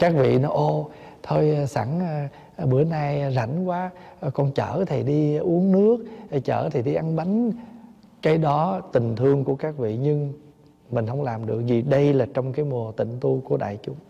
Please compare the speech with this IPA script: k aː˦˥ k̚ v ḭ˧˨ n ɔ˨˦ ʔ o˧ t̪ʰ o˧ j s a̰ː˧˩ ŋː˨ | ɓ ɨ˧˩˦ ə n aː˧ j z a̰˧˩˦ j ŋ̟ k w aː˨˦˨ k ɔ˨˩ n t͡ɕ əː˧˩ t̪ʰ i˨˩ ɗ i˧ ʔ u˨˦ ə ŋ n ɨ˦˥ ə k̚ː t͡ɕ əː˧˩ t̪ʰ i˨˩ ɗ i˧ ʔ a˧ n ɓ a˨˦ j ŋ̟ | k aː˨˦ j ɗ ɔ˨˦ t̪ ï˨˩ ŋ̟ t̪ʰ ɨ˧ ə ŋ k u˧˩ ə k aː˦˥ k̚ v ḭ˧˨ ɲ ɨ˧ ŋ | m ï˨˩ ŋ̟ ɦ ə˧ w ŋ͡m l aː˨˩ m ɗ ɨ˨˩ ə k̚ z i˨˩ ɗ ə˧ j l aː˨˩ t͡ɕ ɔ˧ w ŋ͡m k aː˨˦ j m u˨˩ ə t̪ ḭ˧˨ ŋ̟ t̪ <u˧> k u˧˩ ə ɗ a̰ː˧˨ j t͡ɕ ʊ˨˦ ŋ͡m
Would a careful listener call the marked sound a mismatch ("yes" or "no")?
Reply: no